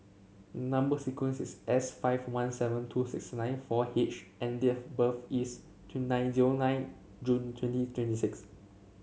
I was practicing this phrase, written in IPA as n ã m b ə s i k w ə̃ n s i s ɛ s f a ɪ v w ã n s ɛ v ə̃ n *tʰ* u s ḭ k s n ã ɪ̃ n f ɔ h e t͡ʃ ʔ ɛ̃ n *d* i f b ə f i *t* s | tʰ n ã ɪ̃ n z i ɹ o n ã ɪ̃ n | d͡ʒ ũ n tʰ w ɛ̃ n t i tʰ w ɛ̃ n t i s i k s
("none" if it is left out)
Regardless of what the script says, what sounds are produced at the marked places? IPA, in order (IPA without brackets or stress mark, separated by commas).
tʰ, d, none